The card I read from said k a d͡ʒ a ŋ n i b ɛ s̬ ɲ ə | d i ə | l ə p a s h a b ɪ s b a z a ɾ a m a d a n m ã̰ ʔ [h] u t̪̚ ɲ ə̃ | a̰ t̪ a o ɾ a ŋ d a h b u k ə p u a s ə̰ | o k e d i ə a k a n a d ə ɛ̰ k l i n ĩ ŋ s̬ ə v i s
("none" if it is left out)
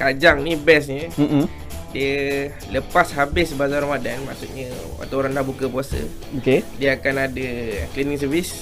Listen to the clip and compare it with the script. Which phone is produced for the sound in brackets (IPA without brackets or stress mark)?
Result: s